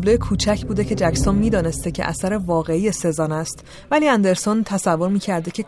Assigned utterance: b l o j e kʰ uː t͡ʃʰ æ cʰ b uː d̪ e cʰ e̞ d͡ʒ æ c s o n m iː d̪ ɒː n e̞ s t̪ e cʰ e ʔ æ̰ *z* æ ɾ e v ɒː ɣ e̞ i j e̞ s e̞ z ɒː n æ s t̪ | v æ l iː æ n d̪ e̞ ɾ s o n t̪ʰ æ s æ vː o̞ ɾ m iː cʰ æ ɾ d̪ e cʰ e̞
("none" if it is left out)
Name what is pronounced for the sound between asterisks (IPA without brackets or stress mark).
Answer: s